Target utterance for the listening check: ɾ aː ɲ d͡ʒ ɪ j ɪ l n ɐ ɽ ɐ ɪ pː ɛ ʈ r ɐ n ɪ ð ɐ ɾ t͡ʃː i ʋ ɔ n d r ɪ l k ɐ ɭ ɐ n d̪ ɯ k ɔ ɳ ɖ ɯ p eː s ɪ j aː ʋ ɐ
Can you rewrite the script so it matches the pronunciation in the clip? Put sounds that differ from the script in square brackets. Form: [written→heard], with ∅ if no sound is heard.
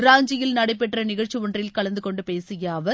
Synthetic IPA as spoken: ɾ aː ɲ d͡ʒ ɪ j ɪ l n ɐ ɽ ɐ ɪ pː ɛ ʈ r ɐ n ɪ [ð→ɣ] ɐ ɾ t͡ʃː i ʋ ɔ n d r ɪ l k ɐ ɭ ɐ n d̪ ɯ k ɔ ɳ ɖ ɯ p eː s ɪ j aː ʋ ɐ

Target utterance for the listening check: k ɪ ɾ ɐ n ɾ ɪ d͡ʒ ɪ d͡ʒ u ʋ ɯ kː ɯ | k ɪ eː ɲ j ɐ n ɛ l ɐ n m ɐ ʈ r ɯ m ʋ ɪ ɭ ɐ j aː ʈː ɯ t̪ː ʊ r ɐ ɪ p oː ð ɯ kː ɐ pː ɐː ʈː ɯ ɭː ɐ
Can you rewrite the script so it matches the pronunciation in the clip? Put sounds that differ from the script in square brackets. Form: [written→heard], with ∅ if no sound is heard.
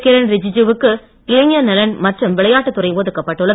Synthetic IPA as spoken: k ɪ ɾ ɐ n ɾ ɪ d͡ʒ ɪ d͡ʒ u ʋ ɯ kː ɯ | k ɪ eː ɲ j ɐ n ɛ l ɐ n m ɐ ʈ r ɯ m ʋ ɪ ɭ ɐ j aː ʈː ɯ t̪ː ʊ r ɐ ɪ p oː ð ɯ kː ɐ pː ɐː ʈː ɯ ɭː ɐ

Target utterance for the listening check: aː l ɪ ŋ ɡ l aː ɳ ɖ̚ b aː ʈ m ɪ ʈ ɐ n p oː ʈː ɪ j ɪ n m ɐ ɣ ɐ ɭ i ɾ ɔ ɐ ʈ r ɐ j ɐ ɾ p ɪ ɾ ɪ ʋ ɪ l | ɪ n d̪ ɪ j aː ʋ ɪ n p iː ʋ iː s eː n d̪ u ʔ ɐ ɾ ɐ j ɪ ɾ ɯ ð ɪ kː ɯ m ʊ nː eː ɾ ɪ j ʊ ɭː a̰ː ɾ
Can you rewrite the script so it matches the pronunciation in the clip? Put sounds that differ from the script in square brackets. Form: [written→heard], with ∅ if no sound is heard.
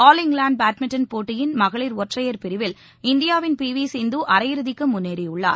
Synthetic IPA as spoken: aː l ɪ ŋ ɡ l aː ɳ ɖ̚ b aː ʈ m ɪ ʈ ɐ n p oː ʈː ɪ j ɪ n m ɐ ɣ ɐ ɭ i ɾ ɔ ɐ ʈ r ɐ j ɐ ɾ p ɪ ɾ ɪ ʋ ɪ l | ɪ n d̪ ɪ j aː ʋ ɪ n p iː ʋ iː s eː n d̪ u ʔ ɐ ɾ ɐ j ɪ ɾ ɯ ð ɪ kː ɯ m ʊ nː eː ɾ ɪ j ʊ ɭː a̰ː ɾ

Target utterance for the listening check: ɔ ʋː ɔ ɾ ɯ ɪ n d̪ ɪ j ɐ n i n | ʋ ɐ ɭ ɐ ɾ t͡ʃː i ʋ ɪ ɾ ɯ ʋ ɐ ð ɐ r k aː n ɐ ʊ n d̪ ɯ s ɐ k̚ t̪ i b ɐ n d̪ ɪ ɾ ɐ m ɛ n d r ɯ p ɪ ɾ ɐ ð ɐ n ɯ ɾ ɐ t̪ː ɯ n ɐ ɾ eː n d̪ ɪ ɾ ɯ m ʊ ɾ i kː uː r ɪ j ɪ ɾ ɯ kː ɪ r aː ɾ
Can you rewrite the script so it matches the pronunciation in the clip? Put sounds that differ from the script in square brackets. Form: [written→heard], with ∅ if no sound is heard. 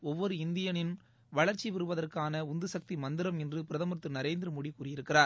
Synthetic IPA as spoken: ɔ ʋː ɔ ɾ ɯ ɪ n d̪ ɪ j ɐ n [i→ɪ] n | ʋ ɐ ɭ ɐ ɾ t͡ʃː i ʋ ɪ ɾ ɯ ʋ ɐ ð ɐ r k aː n ɐ ʊ n d̪ ɯ s ɐ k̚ t̪ i [b→m] ɐ n d̪ ɪ ɾ ɐ m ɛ n d r ɯ p ɪ ɾ ɐ ð ɐ [n→m] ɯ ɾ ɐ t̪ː ɯ n ɐ ɾ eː n d̪ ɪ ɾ ɯ m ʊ [ɾ→ɽ] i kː uː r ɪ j ɪ ɾ ɯ kː ɪ r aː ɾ

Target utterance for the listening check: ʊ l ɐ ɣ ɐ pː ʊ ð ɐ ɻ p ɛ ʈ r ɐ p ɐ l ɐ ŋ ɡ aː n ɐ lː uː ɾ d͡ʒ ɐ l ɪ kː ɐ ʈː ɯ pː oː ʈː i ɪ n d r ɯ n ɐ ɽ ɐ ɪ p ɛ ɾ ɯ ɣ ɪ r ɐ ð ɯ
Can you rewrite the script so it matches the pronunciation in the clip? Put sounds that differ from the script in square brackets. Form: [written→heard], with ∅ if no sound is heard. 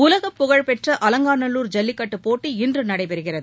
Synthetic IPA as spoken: ʊ l ɐ ɣ ɐ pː ʊ [ð→ɣ] ɐ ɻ p ɛ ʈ r ɐ [p→ʔ] ɐ l ɐ ŋ ɡ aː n ɐ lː uː ɾ d͡ʒ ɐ [l→lː] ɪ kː ɐ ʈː ɯ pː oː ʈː i ɪ n d r ɯ n ɐ ɽ ɐ ɪ p ɛ ɾ ɯ ɣ ɪ r ɐ ð ɯ

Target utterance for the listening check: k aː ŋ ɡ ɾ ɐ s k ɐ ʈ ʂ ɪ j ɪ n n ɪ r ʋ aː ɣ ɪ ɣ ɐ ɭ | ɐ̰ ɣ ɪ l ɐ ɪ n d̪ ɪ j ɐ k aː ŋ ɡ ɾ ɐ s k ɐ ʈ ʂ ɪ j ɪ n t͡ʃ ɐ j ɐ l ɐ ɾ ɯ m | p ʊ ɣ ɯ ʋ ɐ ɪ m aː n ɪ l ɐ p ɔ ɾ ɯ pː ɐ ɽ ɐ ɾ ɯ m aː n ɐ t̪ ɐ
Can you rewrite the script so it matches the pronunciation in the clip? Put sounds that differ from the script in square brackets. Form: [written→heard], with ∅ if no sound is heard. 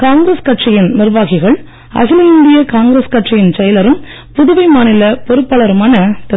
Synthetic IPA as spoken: k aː ŋ ɡ ɾ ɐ s k ɐ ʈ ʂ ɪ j ɪ n n ɪ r ʋ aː ɣ ɪ ɣ ɐ ɭ | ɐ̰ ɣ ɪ l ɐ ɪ n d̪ ɪ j ɐ k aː ŋ ɡ ɾ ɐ s k ɐ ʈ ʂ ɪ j ɪ n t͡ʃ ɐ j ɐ l ɐ ɾ ɯ m | p ʊ [ɣ→ð] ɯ ʋ ɐ ɪ m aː n ɪ l ɐ p ɔ ɾ ɯ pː ɐ [ɽ→ɭ] ɐ ɾ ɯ m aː n ɐ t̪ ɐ

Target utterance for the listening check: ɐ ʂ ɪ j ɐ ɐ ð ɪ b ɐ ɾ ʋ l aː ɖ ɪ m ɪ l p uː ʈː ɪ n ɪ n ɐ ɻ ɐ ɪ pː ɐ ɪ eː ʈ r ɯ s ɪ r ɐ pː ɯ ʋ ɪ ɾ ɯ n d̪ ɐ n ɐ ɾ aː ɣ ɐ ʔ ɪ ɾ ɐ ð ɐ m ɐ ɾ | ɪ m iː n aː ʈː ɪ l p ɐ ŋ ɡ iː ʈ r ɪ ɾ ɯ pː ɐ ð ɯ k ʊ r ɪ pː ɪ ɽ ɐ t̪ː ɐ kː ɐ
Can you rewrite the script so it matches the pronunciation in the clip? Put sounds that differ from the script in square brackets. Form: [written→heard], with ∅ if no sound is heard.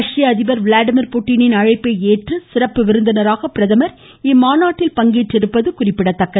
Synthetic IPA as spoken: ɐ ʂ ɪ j ɐ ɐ ð ɪ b ɐ ɾ ʋ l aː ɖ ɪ m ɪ [l→ɾ] p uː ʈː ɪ n ɪ n ɐ ɻ ɐ ɪ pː ɐ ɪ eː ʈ r ɯ s ɪ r ɐ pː ɯ ʋ ɪ ɾ ɯ n d̪ ɐ n ɐ ɾ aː ɣ ɐ [ʔ→p] ɪ ɾ ɐ ð ɐ m ɐ ɾ | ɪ m [iː→aː] n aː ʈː ɪ l p ɐ ŋ ɡ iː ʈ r ɪ ɾ ɯ pː ɐ ð ɯ k ʊ r ɪ pː ɪ ɽ ɐ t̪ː ɐ kː ɐ

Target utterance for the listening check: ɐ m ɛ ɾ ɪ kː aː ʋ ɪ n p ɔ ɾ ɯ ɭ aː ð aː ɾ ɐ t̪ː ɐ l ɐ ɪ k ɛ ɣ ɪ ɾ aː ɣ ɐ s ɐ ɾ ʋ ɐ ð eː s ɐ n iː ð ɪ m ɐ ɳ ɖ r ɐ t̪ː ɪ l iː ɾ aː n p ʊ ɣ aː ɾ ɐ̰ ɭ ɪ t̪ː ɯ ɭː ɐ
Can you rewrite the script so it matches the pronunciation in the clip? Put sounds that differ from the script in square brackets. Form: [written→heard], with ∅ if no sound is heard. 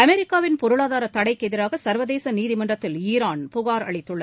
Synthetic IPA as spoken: ɐ m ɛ ɾ ɪ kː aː ʋ ɪ n p ɔ ɾ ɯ ɭ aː ð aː ɾ ɐ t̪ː ɐ [l→ɽ] ɐ ɪ k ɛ [ɣ→ð] ɪ ɾ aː ɣ ɐ s ɐ ɾ ʋ ɐ ð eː s ɐ n iː ð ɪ m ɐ ɳ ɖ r ɐ t̪ː ɪ l iː ɾ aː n p ʊ ɣ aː ɾ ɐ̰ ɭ ɪ t̪ː ɯ ɭː ɐ

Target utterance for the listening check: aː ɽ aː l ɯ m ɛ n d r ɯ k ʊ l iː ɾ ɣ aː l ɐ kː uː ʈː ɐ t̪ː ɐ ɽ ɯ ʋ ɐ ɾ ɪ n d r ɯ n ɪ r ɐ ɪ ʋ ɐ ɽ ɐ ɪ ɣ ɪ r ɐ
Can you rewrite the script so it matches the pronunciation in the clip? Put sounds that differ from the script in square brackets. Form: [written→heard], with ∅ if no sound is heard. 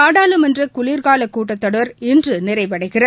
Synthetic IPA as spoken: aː ɽ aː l ɯ m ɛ n d r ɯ k ʊ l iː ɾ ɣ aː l ɐ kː uː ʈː ɐ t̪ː ɐ ɽ ɯ ʋ ɐ ɾ ɪ n d r ɯ n ɪ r ɐ ɪ ʋ ɐ ɽ ɐ ɪ ɣ ɪ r ɐ

